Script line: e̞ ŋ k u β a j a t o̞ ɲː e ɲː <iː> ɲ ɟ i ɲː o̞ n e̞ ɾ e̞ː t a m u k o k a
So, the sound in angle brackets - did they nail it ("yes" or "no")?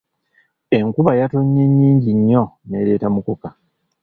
yes